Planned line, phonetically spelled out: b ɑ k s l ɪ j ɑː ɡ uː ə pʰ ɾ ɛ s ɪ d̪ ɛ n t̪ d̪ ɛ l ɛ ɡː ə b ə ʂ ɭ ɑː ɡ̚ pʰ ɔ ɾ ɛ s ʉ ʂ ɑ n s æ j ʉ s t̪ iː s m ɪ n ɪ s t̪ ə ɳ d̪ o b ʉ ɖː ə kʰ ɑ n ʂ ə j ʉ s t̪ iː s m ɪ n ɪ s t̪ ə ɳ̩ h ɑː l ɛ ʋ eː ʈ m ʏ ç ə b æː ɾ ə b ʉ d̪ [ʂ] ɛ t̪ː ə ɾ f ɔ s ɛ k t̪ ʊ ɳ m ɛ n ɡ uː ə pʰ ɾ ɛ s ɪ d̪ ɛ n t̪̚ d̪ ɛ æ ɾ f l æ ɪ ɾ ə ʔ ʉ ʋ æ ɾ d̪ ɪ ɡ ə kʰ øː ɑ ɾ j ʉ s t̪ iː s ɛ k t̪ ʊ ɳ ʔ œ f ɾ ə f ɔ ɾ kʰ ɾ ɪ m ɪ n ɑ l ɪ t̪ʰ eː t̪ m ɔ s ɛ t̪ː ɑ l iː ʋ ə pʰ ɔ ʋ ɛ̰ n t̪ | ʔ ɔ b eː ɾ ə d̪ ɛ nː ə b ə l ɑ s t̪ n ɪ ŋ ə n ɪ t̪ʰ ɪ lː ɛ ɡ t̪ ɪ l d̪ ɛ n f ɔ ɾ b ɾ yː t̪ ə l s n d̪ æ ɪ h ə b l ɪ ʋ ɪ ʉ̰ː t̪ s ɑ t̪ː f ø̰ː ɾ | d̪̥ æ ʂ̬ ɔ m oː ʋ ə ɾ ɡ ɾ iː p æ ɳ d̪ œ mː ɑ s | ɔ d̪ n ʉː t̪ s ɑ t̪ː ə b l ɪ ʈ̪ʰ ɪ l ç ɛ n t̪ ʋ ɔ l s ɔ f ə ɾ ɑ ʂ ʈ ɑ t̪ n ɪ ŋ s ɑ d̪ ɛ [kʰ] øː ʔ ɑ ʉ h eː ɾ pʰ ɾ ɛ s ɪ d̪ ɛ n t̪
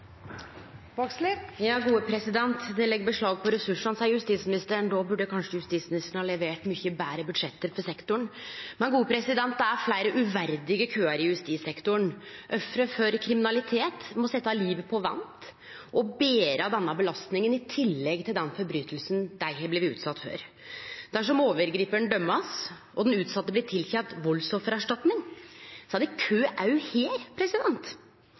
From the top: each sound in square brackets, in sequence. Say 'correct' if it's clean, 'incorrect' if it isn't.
correct, correct

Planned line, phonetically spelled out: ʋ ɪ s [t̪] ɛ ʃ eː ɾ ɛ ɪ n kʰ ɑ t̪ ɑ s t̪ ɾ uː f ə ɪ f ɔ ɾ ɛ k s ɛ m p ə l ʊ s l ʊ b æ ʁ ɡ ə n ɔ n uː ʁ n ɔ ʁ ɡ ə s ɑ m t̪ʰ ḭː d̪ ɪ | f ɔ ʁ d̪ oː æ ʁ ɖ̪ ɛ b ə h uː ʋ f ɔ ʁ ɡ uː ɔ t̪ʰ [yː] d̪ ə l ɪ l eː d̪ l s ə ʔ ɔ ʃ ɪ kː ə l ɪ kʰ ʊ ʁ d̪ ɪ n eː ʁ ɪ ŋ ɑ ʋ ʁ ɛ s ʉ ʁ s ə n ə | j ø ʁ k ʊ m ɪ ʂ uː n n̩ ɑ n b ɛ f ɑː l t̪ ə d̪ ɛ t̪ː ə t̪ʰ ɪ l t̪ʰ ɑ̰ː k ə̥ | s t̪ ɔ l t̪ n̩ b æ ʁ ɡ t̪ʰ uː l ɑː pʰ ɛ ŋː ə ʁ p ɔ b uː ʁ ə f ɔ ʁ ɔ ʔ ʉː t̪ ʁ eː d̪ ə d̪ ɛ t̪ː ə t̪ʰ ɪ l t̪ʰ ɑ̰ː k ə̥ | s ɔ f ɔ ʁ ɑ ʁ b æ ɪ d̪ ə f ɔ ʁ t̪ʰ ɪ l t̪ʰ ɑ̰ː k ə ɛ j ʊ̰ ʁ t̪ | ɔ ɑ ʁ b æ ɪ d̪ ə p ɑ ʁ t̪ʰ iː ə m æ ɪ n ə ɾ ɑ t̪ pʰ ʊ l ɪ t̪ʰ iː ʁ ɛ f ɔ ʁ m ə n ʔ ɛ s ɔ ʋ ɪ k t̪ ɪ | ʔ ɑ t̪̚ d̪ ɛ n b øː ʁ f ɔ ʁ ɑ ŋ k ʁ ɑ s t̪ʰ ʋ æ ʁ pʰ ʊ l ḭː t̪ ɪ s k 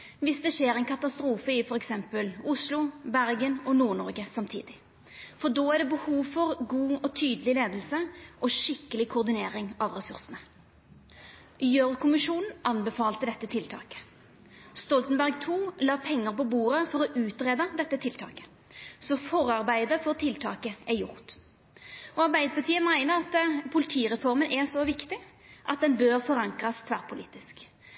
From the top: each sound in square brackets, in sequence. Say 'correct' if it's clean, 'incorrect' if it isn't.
incorrect, correct

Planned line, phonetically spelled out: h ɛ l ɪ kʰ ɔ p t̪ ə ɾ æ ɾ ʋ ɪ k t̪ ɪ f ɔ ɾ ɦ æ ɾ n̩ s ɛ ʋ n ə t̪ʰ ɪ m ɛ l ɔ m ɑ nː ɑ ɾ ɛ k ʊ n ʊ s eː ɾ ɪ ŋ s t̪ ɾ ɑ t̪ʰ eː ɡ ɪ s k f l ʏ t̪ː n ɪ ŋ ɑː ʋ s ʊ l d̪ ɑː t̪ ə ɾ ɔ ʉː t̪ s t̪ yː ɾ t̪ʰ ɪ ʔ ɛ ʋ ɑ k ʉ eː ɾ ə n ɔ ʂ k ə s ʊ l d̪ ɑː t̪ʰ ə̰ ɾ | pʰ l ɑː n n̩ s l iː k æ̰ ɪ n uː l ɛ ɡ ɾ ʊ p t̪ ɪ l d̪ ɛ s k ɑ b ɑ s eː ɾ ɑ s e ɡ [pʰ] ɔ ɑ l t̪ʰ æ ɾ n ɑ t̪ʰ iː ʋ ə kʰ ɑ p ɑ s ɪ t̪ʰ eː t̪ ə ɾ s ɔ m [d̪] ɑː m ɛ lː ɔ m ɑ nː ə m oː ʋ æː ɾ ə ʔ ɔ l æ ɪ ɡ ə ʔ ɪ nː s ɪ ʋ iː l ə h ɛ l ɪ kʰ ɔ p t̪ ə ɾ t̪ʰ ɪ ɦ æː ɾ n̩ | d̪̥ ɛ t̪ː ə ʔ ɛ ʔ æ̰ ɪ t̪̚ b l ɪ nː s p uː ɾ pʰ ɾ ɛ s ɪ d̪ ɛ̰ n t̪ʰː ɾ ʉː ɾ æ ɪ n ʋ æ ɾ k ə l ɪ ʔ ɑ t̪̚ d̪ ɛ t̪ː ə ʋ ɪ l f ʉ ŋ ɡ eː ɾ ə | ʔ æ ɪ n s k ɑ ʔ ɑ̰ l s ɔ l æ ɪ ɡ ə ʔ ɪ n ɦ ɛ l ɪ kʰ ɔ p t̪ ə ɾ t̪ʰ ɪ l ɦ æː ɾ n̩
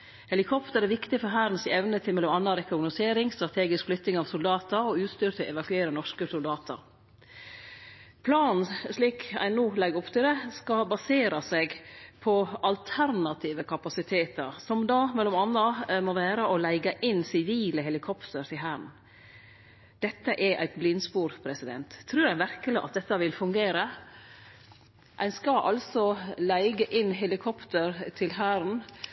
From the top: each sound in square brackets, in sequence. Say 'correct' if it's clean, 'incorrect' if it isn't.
correct, correct

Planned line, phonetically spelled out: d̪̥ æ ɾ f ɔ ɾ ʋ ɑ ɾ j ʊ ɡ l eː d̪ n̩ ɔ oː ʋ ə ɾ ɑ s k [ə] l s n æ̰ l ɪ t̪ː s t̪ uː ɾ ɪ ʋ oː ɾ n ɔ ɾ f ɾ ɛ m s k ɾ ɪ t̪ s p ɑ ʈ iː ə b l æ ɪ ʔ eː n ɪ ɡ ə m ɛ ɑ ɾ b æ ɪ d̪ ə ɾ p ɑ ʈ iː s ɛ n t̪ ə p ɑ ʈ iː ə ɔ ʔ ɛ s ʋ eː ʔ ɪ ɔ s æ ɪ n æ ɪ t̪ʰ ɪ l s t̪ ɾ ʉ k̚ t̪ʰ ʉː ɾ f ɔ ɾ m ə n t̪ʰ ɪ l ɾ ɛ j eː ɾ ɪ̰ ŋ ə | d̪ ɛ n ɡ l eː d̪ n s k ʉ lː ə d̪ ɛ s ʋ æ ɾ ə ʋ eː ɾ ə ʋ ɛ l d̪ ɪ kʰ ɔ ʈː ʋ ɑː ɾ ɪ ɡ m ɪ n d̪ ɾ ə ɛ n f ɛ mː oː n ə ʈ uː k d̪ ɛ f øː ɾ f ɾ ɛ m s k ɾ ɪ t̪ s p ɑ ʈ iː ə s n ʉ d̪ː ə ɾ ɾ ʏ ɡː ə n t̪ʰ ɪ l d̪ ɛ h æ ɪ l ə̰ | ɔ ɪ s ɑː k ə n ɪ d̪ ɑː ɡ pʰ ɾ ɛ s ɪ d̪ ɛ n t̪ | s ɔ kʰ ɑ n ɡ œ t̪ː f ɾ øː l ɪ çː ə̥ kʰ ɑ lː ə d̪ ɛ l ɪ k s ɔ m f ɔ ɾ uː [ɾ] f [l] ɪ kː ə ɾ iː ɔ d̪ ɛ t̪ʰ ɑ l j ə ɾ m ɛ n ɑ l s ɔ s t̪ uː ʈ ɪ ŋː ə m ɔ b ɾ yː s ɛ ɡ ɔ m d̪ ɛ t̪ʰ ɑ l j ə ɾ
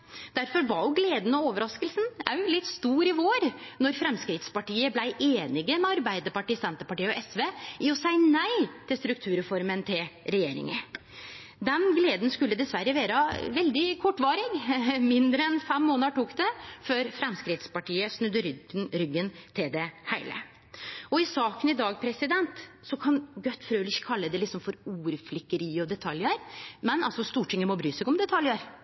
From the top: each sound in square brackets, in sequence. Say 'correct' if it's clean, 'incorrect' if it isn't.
correct, correct, correct

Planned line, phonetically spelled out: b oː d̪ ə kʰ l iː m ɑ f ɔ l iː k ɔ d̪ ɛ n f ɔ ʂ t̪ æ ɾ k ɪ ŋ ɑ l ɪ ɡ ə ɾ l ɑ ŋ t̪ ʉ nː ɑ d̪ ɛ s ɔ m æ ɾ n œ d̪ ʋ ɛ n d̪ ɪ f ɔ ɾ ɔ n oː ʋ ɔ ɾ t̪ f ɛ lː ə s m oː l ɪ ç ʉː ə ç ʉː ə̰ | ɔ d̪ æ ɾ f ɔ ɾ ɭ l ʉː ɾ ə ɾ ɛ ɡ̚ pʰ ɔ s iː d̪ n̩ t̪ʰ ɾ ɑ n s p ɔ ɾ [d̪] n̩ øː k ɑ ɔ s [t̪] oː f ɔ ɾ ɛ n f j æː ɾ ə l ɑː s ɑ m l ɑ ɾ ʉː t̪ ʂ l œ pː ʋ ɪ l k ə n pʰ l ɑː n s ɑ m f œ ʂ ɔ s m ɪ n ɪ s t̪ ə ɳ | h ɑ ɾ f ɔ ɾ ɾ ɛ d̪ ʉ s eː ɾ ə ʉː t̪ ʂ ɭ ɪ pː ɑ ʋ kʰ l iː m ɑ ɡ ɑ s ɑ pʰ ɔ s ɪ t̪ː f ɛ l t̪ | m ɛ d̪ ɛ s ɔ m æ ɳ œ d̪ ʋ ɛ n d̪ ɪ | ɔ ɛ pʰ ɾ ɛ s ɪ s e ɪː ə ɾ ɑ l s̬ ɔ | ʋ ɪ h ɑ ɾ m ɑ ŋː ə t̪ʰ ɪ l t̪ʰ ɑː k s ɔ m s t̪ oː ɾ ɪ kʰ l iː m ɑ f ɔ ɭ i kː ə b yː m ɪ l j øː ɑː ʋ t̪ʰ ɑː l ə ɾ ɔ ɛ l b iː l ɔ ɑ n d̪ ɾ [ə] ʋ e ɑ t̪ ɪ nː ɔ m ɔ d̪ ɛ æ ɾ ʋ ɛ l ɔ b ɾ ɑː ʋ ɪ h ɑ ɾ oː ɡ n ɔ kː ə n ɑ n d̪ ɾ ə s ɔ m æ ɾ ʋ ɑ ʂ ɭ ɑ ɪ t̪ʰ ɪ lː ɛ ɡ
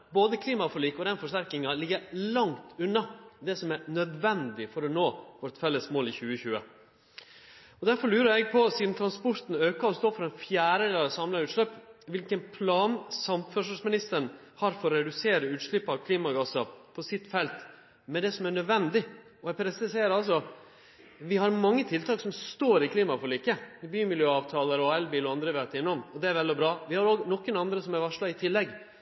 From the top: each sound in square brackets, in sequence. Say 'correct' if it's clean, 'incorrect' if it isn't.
incorrect, correct, correct

